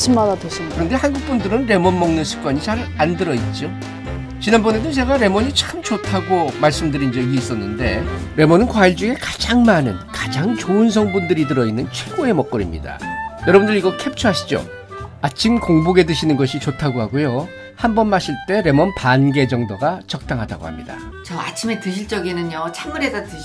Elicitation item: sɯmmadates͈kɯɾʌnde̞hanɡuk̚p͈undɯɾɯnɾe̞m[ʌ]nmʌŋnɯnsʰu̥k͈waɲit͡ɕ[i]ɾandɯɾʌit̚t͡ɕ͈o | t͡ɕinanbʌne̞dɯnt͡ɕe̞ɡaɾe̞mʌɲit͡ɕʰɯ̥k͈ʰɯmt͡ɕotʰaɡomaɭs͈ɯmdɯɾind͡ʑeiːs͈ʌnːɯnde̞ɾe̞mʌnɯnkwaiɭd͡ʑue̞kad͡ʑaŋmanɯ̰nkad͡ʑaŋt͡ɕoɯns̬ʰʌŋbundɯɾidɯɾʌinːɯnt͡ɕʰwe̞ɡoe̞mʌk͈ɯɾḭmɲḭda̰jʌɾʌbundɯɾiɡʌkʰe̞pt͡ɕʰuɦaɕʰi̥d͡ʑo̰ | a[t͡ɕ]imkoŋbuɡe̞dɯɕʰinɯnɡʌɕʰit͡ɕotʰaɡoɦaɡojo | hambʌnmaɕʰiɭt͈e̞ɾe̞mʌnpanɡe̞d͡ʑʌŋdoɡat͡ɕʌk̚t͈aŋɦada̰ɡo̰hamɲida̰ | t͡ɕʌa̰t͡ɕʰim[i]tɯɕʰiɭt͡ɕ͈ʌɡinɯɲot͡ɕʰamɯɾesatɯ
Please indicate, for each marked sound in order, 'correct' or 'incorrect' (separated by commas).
correct, incorrect, incorrect, incorrect